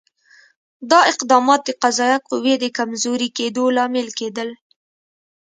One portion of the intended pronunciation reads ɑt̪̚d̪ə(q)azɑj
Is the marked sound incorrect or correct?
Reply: correct